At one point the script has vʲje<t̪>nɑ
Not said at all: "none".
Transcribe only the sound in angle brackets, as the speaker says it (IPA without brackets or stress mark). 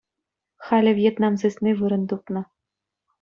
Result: t̪